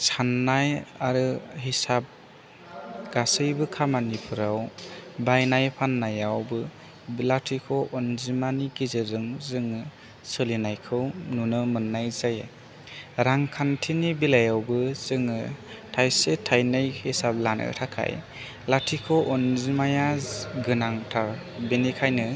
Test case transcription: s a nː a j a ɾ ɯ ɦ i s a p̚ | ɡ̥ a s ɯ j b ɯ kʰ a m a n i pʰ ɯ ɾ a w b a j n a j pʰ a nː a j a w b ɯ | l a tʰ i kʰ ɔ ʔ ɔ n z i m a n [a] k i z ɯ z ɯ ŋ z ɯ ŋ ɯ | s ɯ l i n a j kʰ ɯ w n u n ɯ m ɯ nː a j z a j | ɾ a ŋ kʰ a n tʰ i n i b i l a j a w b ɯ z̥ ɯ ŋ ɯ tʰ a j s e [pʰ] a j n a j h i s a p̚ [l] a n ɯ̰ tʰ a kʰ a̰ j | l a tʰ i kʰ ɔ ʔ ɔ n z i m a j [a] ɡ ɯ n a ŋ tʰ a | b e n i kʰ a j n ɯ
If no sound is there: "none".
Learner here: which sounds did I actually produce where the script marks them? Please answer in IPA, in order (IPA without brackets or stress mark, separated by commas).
i, tʰ, l, a